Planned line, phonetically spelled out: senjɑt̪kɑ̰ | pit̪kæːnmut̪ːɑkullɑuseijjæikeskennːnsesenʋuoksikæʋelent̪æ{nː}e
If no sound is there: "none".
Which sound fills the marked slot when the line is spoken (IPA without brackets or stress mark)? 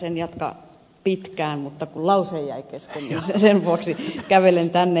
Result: nː